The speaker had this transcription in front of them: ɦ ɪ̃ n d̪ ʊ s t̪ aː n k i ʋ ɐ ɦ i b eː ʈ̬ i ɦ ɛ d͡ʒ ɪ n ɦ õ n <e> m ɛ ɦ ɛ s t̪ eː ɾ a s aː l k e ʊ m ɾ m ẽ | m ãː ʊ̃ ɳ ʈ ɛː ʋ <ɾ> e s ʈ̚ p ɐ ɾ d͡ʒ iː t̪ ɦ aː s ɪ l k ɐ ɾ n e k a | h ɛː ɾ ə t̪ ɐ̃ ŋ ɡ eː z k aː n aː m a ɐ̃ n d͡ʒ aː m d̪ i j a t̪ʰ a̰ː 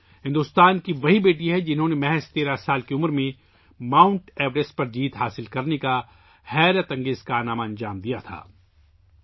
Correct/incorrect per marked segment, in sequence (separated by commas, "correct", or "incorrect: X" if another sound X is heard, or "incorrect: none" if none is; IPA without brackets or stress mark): correct, correct